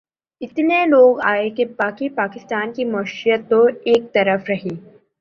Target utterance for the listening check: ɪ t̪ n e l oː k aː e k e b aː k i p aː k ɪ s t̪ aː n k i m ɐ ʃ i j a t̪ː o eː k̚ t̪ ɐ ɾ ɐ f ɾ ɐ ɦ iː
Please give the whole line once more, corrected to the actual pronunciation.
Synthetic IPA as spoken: ɪ t̪ n e l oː ɡ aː e k e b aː k i p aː k ɪ s t̪ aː n k i m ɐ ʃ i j ə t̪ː o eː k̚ t̪ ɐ ɾ ə f ɾ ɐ ɦ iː